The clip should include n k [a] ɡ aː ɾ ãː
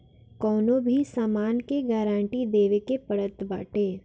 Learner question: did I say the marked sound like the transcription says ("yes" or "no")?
no